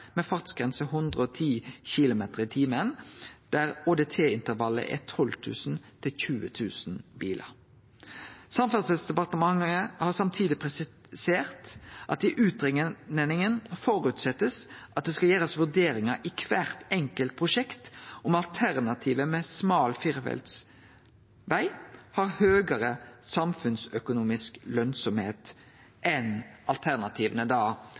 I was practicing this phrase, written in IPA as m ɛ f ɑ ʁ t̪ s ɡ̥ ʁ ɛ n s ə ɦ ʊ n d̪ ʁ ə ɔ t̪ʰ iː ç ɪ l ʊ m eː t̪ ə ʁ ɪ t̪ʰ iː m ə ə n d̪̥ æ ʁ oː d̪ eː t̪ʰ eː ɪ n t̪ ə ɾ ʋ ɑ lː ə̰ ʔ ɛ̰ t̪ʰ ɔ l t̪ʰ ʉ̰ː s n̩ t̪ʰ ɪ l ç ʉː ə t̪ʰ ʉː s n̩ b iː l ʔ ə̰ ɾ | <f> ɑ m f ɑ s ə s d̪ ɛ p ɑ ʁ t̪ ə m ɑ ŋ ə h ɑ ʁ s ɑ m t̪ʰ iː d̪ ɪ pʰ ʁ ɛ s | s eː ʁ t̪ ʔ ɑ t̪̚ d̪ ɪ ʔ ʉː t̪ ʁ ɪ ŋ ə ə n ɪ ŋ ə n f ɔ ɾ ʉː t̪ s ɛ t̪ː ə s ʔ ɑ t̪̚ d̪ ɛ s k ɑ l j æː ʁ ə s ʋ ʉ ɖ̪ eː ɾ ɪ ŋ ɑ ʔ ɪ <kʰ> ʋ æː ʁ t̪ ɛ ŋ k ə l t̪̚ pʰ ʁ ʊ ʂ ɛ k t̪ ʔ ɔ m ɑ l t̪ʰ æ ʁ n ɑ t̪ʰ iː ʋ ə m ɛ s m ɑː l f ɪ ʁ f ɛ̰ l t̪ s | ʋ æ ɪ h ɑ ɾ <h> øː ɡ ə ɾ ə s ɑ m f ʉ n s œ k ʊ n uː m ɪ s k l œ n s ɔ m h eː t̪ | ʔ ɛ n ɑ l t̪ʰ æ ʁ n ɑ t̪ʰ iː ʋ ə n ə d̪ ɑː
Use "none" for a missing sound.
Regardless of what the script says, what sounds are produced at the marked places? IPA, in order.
s, kʰ, h

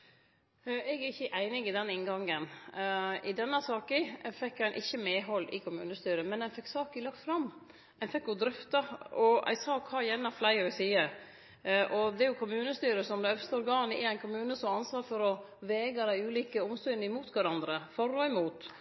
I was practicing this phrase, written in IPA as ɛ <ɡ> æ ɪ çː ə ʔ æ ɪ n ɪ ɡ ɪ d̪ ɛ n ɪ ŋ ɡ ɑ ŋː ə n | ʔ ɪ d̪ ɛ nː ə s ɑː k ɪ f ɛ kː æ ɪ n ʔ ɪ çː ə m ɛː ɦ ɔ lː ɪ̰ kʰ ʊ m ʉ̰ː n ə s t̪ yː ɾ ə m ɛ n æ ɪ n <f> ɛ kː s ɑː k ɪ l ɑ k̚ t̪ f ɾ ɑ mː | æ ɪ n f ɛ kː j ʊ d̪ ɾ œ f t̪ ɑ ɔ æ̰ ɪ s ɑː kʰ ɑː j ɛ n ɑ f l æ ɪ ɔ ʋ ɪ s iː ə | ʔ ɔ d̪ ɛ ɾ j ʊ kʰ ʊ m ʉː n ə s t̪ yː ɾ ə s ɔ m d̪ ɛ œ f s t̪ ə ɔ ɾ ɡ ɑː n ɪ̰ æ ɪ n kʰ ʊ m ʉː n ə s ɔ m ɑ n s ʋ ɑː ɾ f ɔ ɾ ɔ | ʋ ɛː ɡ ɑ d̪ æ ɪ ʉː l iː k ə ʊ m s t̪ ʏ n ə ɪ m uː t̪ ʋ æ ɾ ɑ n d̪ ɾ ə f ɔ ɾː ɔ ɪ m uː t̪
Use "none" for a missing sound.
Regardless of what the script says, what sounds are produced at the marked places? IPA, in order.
ɡ, f

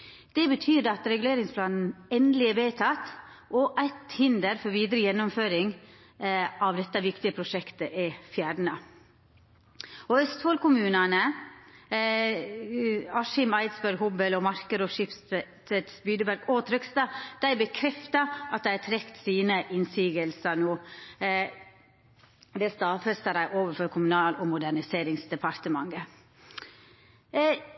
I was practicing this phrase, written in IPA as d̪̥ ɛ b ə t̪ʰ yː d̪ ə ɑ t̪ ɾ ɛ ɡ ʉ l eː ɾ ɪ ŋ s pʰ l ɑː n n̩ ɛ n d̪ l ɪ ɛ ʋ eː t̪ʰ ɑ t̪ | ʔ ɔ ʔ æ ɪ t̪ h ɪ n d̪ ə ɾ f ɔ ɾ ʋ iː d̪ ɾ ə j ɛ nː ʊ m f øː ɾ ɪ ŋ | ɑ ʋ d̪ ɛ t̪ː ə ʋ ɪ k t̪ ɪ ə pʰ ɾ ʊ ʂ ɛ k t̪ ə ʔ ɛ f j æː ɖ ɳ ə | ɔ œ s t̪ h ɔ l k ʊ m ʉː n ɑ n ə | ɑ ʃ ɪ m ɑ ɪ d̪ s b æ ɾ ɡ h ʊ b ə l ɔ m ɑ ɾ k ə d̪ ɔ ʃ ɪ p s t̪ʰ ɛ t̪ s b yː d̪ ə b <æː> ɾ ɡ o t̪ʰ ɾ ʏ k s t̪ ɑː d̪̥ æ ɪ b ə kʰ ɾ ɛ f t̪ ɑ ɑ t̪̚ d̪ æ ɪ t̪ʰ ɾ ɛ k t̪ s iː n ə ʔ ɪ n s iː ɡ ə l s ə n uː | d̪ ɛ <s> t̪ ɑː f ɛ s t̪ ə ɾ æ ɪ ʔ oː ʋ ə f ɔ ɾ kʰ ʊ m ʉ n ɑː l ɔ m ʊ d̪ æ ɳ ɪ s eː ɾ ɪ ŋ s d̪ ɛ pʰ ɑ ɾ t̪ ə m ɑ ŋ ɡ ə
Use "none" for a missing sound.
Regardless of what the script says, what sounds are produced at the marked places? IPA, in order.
æ, s

